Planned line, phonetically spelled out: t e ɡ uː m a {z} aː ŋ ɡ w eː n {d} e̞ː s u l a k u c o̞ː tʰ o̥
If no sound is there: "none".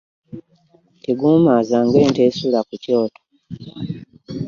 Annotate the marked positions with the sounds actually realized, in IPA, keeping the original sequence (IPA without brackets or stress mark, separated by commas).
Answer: z, t